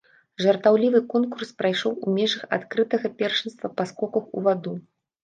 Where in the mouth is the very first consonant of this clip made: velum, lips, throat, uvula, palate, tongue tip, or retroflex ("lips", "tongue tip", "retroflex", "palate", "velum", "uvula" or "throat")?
retroflex